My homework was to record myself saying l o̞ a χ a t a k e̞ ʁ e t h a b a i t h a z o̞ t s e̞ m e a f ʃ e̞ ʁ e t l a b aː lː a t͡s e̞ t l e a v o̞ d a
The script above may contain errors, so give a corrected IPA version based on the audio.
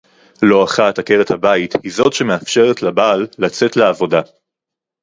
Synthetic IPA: l o̞ a χ a t a k e̞ ʁ e t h a b a i t h i z o̞ t ʃ e̞ m e a f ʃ e̞ ʁ e t l a b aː lː a t͡s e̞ t l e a v o̞ d a

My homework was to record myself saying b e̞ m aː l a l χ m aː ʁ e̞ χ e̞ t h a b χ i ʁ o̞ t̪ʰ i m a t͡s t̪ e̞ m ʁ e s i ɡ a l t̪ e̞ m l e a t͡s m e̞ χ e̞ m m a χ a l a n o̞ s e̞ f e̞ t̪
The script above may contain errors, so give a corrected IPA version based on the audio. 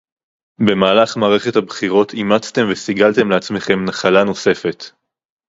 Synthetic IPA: b e̞ m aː l a χ m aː ʁ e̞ χ e̞ t h a b χ i ʁ o̞ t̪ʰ i m a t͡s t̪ e̞ m v e s i ɡ a l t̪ e̞ m l e a t͡s m e̞ χ e̞ m n a χ a l a n o̞ s e̞ f e̞ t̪

